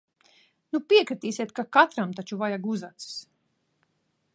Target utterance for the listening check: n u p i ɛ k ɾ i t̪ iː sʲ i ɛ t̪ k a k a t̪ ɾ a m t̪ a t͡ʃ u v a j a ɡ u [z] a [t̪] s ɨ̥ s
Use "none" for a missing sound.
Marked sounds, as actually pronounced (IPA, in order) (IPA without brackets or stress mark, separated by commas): z, t̪